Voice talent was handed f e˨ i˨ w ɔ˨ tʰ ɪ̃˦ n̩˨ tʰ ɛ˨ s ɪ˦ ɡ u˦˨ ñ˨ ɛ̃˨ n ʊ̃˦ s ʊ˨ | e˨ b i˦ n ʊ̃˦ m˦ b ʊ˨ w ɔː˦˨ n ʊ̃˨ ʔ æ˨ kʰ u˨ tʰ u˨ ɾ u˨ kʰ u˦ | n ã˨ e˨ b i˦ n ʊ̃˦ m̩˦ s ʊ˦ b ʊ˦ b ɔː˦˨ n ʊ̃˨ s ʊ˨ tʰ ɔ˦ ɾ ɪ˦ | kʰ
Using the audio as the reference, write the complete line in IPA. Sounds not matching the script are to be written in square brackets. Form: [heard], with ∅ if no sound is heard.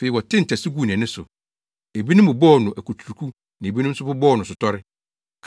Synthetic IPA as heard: f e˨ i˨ w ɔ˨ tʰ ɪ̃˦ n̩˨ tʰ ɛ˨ s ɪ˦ ɡ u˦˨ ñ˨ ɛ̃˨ n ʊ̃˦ s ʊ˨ | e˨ b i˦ n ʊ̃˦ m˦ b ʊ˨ [b] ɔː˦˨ n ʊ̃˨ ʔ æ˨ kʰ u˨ tʰ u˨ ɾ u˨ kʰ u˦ | n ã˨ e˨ b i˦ n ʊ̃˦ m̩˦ s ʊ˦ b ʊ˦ b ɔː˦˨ n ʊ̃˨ s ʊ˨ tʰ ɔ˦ ɾ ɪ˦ | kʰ

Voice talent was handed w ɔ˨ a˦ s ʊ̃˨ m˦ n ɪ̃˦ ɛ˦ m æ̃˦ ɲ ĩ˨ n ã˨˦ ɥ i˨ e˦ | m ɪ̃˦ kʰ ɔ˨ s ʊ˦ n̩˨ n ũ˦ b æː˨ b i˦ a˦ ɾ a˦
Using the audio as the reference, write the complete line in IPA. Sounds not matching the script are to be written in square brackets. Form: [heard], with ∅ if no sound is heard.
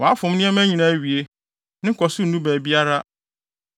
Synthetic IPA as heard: w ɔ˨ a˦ [f] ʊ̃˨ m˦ n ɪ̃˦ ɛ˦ m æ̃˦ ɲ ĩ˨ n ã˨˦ ɥ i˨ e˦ | [n] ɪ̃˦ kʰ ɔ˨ s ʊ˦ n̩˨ n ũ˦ b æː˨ b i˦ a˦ ɾ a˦

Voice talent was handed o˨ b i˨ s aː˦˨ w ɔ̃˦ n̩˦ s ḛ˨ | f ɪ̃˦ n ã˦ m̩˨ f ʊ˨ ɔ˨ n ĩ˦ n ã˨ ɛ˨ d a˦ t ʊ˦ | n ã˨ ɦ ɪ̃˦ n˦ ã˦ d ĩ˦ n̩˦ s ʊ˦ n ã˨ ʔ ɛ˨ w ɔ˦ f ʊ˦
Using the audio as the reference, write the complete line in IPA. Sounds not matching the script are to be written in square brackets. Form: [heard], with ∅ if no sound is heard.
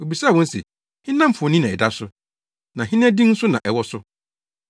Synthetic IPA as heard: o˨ b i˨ s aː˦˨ w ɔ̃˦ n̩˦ s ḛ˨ | [h] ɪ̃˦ n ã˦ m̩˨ f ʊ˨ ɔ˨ n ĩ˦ n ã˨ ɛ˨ d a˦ [s] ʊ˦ | n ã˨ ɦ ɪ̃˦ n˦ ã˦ d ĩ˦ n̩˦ s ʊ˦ n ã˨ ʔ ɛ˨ w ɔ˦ [s] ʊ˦

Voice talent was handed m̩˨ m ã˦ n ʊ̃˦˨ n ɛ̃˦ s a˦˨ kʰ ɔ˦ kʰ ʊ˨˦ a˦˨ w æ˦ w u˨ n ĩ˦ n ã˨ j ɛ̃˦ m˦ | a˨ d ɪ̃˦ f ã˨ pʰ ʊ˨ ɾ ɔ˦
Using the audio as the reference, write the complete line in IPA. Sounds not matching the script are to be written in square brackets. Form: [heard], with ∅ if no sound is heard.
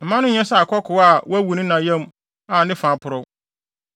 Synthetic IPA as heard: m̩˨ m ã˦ n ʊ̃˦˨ [ɲ] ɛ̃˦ s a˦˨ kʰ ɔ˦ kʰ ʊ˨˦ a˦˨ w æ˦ w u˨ n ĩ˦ n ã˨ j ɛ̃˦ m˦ | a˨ [n] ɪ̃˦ f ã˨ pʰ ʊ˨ ɾ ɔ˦

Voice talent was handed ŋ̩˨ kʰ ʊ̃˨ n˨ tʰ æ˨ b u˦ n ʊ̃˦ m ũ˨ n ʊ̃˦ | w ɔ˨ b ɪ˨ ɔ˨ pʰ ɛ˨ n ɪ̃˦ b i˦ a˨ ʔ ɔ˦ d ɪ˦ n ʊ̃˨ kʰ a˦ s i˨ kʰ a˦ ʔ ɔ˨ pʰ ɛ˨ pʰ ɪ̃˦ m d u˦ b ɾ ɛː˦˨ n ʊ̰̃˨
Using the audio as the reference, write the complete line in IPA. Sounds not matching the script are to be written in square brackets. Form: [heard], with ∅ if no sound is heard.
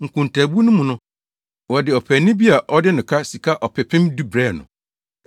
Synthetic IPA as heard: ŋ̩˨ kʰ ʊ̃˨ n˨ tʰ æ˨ b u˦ n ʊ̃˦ m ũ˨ n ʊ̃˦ | w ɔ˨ [d] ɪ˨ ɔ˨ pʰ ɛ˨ n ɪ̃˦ b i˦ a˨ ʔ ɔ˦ d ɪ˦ n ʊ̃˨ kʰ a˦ s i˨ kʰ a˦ ʔ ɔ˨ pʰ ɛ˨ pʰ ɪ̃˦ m d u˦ b ɾ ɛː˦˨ n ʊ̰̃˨

